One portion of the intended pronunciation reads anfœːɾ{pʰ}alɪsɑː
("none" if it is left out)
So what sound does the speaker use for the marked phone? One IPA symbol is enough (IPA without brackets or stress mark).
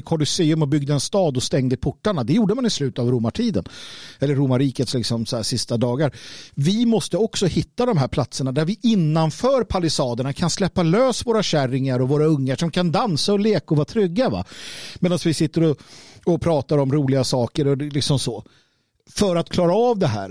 pʰ